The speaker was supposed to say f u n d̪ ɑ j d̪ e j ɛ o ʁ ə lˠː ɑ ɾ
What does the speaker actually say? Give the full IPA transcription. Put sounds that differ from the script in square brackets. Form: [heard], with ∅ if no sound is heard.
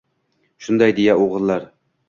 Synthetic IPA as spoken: [ʃ] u n d̪ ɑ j d̪ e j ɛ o ʁ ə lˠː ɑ ɾ